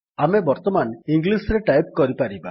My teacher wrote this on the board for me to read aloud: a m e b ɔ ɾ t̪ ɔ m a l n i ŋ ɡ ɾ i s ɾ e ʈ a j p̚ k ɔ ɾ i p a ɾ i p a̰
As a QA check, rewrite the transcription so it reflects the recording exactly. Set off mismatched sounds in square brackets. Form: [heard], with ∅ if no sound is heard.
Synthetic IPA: a m e b ɔ ɾ t̪ ɔ m a [∅] n i ŋ ɡ [l] i s ɾ e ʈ a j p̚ k ɔ ɾ i p a ɾ i [b] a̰

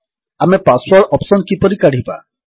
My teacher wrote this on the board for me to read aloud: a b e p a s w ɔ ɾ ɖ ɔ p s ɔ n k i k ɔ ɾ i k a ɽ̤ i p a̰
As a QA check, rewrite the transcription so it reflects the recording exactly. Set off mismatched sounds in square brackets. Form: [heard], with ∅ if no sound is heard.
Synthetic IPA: a [m] e p a s w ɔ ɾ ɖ ɔ p s ɔ n k i [p] ɔ ɾ i k a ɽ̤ i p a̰

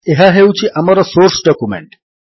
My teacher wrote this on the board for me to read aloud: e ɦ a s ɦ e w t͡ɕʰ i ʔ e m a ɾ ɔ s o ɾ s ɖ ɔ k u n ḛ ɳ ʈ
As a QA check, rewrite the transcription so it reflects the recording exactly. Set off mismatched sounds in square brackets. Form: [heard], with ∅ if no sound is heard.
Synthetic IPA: e ɦ a [∅] ɦ e w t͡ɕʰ i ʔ [a] m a ɾ ɔ s o ɾ s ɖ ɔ k u [m] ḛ ɳ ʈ

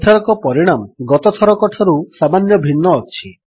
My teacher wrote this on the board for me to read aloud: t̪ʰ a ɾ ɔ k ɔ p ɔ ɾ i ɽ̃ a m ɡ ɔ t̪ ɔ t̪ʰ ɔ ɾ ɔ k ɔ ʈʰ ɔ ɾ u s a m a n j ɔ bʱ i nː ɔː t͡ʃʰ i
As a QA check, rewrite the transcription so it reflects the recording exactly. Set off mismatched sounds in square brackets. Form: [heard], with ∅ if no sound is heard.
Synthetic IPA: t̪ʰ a ɾ ɔ k ɔ p ɔ ɾ i ɽ̃ a m ɡ ɔ t̪ ɔ t̪ʰ ɔ ɾ ɔ k ɔ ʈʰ ɔ ɾ u s a m a n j ɔ bʱ i nː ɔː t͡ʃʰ i

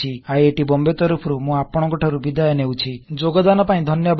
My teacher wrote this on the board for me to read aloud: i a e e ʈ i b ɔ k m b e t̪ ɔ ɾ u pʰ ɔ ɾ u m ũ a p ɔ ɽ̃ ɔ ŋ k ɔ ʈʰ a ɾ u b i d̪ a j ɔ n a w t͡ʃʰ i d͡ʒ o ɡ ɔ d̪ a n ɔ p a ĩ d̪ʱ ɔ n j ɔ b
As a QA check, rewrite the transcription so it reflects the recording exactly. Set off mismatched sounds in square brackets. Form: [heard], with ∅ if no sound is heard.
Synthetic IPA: i a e e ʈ i b ɔ [∅] m b e t̪ ɔ ɾ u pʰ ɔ ɾ u m ũ a p ɔ ɽ̃ ɔ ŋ k ɔ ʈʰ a ɾ u b i d̪ a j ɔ n [e] w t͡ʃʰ i d͡ʒ o ɡ ɔ d̪ a n ɔ p a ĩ d̪ʱ ɔ n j ɔ b

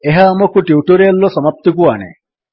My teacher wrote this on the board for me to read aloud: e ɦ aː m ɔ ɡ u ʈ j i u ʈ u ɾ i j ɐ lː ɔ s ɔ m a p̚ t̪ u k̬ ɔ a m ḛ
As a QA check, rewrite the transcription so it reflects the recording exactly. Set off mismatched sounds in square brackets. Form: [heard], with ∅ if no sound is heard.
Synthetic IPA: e ɦ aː m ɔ [k] u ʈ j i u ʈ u ɾ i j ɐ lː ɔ s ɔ m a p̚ t̪ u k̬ [u] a [n] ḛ

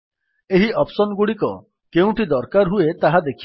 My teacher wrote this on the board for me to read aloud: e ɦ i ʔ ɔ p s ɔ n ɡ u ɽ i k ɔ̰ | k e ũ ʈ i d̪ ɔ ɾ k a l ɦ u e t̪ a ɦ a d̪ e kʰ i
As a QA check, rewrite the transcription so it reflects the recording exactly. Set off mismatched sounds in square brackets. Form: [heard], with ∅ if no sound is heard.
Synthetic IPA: e ɦ i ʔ ɔ p s ɔ n ɡ u ɽ i k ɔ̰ | k e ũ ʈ i d̪ ɔ ɾ k a [ɾ] ɦ u e t̪ a ɦ a d̪ e kʰ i

